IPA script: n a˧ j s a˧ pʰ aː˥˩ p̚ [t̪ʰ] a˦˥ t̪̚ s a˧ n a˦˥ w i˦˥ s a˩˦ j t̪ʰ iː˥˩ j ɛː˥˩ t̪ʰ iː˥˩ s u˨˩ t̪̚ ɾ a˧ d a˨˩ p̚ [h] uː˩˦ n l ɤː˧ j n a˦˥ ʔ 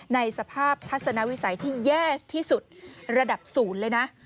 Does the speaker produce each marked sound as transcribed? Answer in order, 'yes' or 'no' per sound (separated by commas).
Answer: yes, no